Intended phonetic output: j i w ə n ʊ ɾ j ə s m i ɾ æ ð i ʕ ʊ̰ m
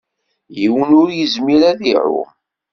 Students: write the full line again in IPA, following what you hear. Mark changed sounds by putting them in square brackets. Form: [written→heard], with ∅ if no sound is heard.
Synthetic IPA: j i w ə n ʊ ɾ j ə [s→z] m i ɾ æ ð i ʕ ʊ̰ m